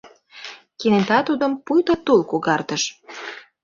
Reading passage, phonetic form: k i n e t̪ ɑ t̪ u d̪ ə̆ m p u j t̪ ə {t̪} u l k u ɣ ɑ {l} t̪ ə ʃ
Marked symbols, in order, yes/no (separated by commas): yes, no